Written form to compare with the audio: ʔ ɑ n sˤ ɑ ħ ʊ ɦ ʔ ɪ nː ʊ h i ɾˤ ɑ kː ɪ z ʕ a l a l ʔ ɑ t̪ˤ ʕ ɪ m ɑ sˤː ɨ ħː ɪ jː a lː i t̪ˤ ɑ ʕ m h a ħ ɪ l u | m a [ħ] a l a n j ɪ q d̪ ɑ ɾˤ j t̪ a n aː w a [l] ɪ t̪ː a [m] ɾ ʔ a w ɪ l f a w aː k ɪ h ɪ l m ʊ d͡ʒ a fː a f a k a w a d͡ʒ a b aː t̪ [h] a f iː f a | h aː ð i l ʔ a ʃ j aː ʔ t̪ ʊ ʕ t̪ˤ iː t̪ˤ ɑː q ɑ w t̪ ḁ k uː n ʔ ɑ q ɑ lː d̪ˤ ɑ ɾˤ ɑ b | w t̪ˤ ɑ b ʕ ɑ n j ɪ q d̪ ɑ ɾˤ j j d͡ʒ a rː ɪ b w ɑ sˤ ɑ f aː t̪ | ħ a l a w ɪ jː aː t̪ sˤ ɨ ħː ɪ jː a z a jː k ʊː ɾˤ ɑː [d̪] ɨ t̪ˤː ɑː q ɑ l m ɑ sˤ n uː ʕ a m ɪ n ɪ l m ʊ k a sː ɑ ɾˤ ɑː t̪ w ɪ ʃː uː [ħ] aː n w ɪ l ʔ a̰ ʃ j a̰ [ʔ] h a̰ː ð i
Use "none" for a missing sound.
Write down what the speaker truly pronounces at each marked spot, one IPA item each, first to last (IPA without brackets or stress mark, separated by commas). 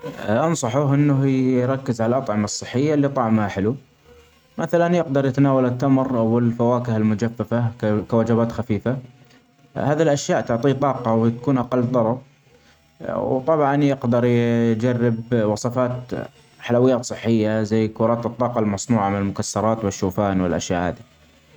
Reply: θ, l, m, x, t̪, f, ʔ